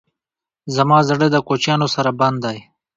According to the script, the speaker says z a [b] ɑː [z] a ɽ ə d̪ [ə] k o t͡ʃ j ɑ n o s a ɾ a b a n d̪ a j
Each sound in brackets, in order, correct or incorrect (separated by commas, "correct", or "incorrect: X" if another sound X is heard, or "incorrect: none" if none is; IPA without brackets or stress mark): incorrect: m, correct, correct